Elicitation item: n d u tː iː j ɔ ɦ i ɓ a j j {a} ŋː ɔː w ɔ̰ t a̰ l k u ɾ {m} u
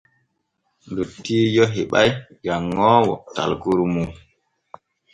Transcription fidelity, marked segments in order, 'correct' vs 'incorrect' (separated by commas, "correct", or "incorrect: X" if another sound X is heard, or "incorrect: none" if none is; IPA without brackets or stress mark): correct, correct